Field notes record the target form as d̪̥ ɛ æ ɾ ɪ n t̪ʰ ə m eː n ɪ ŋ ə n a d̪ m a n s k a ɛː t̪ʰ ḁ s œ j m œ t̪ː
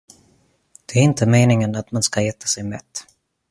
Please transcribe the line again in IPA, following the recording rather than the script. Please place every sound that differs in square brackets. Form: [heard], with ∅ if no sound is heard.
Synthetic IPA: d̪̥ ɛ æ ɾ ɪ n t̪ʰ ə m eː n ɪ ŋ ə n a [t̪] m a n s k a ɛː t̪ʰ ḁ s [ɛ] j m [ɛ] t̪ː